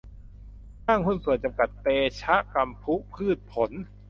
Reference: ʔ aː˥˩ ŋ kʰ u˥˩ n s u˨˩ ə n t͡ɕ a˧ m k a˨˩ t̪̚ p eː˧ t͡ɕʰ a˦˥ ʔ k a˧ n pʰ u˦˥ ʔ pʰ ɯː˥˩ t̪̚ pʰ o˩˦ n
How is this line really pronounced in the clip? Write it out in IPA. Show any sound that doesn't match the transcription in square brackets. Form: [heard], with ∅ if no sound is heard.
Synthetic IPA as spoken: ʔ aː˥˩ ŋ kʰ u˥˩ n s u˨˩ ə n t͡ɕ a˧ m k a˨˩ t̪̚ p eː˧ t͡ɕʰ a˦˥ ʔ k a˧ [m] pʰ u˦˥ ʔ pʰ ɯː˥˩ t̪̚ pʰ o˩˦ n